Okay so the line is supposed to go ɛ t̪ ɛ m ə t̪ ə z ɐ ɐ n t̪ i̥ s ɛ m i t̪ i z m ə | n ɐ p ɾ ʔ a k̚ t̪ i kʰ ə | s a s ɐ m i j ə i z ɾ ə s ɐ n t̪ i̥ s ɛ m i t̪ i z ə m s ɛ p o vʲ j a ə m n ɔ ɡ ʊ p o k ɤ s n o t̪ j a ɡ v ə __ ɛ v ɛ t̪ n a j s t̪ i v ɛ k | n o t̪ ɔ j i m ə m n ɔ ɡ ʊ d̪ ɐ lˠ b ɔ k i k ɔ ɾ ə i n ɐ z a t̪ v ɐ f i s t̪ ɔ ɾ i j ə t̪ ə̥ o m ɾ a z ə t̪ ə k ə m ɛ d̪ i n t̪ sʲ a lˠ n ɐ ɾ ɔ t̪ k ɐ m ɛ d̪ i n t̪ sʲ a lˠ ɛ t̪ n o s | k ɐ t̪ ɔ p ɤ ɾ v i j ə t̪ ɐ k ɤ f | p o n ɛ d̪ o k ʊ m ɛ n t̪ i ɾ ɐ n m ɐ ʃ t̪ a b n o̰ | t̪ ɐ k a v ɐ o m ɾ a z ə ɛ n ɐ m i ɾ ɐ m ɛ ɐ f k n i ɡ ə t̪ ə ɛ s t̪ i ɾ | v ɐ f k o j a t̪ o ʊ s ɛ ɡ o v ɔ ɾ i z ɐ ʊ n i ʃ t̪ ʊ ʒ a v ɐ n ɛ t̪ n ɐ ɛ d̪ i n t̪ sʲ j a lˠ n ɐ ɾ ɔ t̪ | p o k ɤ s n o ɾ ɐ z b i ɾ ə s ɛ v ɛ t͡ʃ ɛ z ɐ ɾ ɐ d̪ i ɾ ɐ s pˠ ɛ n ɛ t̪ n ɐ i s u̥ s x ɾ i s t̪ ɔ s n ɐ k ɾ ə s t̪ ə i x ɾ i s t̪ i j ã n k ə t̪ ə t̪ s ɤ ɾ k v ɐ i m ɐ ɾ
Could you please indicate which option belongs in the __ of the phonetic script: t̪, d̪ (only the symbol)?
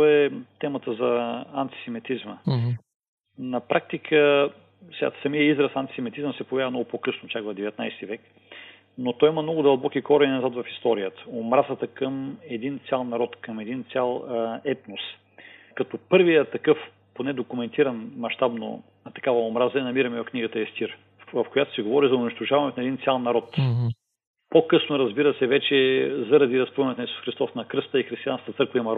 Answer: d̪